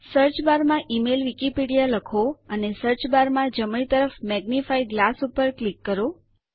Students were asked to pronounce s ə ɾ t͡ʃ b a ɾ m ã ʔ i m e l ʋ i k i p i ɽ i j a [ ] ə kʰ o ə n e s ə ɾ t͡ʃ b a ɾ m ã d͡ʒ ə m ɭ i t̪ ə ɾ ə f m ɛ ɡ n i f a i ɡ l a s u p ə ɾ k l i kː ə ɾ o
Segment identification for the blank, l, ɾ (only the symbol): l